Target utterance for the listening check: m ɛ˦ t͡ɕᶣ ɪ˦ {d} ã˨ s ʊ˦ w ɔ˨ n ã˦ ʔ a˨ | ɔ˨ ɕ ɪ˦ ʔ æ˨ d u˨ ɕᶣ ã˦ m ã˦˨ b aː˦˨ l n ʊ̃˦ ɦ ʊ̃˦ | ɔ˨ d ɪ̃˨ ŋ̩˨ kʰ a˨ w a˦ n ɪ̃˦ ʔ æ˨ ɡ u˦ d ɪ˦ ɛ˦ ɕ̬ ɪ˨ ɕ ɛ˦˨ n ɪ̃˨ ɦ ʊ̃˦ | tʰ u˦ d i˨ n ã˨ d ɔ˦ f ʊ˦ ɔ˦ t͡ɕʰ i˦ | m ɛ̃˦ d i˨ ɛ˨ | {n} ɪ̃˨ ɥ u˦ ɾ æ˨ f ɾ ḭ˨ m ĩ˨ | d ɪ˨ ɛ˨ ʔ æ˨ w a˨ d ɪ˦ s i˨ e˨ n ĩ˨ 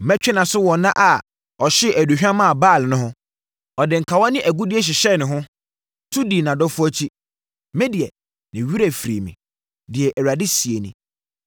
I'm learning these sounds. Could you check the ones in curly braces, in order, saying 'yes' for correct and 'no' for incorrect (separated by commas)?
no, yes